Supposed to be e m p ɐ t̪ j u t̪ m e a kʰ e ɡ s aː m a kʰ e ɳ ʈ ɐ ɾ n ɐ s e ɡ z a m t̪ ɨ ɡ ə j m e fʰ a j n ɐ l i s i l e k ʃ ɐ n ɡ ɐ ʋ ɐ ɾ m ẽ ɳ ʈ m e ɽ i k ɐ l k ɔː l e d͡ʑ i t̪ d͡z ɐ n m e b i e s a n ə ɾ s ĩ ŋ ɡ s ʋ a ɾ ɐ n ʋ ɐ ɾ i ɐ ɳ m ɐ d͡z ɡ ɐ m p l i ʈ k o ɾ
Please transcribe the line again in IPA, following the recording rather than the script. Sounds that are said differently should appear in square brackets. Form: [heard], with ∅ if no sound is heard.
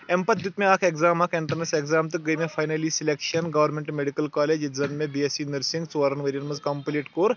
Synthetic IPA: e m p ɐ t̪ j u t̪ m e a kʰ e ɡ [z] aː m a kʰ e ɳ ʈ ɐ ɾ n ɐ s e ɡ z a m t̪ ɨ ɡ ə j m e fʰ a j n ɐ l i s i l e k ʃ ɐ n ɡ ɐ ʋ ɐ ɾ m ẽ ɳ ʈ m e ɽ i k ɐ l k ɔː l e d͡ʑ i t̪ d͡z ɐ n m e b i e s [i] n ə ɾ s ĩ ŋ ɡ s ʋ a ɾ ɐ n ʋ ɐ ɾ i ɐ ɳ m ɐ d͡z [k] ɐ m p l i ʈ k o ɾ